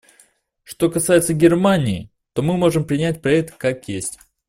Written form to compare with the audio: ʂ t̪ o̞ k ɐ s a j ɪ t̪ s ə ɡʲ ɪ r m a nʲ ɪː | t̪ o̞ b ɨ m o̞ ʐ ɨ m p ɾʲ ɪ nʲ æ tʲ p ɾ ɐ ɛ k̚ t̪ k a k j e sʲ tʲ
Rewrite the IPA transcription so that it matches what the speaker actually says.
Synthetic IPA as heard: ʂ t̪ o̞ k ɐ s a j ɪ t̪ s ə ɡʲ ɪ r m a nʲ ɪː | t̪ o̞ m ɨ m o̞ ʐ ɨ m p ɾʲ ɪ nʲ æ tʲ p ɾ ɐ ɛ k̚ t̪ k a k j e sʲ tʲ